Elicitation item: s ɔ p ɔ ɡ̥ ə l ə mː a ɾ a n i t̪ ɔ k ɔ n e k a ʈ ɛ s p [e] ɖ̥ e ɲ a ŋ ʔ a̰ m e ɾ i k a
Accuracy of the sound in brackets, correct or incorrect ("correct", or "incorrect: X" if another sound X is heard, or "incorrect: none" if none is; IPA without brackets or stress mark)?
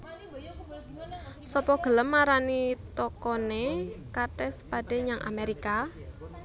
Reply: incorrect: a